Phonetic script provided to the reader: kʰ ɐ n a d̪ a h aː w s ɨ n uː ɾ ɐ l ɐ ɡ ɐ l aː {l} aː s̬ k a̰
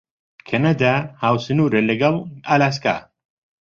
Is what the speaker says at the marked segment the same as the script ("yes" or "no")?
yes